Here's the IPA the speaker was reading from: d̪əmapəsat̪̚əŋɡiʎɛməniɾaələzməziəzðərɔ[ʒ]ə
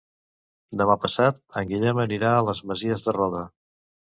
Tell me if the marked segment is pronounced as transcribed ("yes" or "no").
no